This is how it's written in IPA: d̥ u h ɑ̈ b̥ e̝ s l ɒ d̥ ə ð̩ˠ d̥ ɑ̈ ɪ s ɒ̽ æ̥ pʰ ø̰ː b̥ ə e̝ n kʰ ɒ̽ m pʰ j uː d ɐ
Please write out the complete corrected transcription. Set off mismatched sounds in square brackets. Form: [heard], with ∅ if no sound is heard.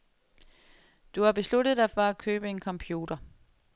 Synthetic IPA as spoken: d̥ u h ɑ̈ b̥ e̝ s l [u] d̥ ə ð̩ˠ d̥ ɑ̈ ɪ [f] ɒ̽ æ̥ [kʰ] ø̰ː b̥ ə e̝ n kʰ ɒ̽ m pʰ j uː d ɐ